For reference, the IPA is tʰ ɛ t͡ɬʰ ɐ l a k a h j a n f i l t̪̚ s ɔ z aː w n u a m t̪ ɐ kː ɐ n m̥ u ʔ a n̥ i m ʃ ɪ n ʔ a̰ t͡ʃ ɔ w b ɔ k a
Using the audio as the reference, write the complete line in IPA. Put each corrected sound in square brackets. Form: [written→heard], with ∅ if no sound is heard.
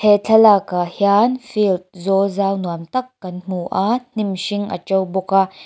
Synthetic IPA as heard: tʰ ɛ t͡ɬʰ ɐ l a k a h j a n f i l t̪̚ [s→z] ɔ z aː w n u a m t̪ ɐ kː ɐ n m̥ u ʔ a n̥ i m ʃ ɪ [n→ŋ] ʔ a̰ t͡ʃ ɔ w b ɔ k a